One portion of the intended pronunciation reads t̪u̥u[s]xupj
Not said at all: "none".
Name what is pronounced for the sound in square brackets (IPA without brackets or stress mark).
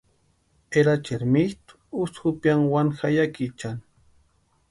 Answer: s